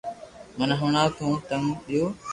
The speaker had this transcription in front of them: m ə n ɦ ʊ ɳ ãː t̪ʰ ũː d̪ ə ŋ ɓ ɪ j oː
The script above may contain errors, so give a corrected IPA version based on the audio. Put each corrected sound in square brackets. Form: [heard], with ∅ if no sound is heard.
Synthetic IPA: m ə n ɦ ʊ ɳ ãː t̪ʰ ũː [t̪] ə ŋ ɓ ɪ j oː

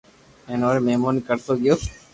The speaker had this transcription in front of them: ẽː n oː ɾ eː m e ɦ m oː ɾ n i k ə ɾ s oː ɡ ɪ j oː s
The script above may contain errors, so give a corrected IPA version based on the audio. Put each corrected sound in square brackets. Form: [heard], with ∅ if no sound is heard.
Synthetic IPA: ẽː n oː ɾ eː m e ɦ m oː [∅] n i k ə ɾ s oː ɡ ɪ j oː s

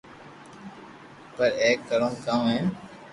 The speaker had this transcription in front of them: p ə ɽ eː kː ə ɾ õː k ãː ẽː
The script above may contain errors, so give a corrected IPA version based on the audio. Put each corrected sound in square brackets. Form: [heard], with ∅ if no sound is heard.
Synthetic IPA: p ə [ɾ] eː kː ə ɾ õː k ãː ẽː

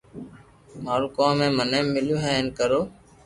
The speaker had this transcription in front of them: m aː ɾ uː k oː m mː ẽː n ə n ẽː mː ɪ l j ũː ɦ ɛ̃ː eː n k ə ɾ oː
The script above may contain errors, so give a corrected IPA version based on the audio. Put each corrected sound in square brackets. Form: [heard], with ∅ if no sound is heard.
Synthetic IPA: m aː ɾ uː k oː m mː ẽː [m] ə n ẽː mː ɪ l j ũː ɦ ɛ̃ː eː n k ə ɾ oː

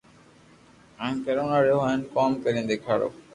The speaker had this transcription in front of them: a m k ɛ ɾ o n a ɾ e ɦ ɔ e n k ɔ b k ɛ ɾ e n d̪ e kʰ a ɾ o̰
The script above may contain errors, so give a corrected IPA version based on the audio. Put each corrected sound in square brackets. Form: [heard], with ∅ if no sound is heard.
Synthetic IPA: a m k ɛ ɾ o n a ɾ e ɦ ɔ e n k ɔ [m] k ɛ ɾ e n d̪ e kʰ a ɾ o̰

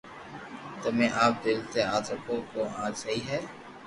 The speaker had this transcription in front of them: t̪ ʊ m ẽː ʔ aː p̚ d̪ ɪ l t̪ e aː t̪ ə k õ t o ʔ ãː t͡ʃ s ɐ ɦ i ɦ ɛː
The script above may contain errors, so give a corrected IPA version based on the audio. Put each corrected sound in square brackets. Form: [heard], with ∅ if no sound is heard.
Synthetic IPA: t̪ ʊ m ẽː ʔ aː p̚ d̪ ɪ l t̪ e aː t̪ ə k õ [k] o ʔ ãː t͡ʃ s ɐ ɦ i ɦ ɛː

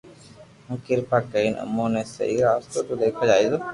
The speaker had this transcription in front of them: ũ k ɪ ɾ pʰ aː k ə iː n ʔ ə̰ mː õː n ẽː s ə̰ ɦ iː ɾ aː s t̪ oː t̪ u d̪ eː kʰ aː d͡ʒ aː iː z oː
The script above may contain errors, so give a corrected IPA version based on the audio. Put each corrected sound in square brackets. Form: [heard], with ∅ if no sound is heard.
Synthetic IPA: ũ k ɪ ɾ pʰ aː k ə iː n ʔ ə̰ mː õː n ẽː s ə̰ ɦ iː ɾ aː s t̪ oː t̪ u d̪ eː kʰ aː d͡ʒ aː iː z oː

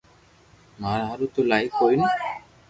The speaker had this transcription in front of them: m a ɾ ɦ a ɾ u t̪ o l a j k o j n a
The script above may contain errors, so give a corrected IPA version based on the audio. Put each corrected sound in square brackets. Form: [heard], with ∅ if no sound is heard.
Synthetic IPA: m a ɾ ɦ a ɾ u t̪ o l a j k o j n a

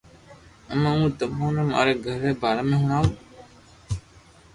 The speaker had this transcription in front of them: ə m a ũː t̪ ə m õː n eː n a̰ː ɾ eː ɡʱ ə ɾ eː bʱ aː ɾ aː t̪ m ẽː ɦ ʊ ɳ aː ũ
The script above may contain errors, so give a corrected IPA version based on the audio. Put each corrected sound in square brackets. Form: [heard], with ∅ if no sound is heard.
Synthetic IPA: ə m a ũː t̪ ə m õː n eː [m] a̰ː ɾ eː ɡʱ ə ɾ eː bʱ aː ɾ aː [∅] m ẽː ɦ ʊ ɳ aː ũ

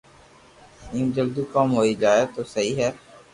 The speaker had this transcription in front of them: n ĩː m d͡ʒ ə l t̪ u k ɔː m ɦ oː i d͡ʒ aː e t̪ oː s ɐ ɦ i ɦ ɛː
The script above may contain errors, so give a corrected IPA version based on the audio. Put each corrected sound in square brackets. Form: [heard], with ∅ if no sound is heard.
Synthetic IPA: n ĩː m d͡ʒ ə l [d̪] u k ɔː m ɦ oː i d͡ʒ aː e t̪ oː s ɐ ɦ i ɦ ɛː

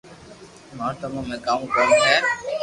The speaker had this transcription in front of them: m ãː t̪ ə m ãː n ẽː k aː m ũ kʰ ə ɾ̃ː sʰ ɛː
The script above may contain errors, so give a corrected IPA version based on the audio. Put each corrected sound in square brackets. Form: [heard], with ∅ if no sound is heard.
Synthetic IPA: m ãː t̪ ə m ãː [m] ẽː k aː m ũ [k] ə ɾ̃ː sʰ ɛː

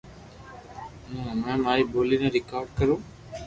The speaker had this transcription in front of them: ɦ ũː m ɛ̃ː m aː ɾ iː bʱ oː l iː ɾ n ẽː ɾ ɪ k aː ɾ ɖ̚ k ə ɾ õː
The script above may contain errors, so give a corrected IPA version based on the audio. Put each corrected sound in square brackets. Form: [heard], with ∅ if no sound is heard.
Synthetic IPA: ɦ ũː m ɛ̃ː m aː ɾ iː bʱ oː l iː [∅] n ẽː ɾ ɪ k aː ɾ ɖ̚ k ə ɾ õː

